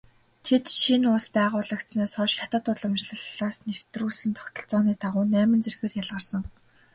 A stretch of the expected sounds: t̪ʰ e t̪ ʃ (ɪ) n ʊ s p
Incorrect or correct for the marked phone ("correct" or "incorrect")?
incorrect